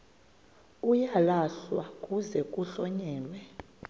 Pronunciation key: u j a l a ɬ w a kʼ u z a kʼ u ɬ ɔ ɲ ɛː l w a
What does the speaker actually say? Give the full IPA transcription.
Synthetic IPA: u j a l a ɬ w a kʼ u z ɛ kʼ u ɬ ɔ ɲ ɛː l w ɛ

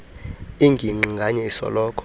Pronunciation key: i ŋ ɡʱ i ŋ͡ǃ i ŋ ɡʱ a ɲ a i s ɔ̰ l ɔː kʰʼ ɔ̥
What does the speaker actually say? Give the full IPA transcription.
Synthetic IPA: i ŋ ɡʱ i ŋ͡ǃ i ŋ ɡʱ a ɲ ɛ i s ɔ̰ l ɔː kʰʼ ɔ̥

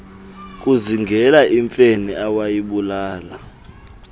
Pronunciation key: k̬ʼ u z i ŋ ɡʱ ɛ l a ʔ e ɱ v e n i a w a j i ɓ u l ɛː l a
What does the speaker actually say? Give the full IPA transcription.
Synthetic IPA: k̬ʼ u z i ŋ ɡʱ ɛ l a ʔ i ɱ f e n i a w a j i ɓ u l aː l a

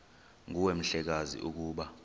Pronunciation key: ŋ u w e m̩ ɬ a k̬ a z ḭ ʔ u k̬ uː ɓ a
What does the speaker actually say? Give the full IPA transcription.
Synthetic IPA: ŋ u w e m̩ ɬ ɛ k̬ a z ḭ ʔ u k̬ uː ɓ a

